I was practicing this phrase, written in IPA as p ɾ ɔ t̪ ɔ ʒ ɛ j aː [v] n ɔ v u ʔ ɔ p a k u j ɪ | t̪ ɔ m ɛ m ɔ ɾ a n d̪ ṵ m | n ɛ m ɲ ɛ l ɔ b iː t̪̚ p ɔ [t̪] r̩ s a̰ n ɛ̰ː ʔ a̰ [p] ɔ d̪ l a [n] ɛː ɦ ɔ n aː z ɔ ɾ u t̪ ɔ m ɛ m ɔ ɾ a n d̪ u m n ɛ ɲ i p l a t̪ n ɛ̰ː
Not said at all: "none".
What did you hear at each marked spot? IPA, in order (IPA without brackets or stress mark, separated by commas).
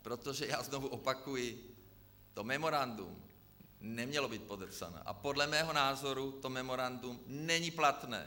z, d̪, p, m